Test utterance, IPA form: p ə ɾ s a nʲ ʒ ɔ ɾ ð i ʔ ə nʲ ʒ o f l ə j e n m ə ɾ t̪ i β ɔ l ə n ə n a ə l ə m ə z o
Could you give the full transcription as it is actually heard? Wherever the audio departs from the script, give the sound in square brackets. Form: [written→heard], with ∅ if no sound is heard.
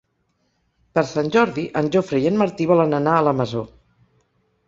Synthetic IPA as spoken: p ə ɾ s a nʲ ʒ ɔ ɾ ð i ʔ ə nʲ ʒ o f [l→ɾ] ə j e n m ə ɾ t̪ i β ɔ l ə n ə n a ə l ə m ə z o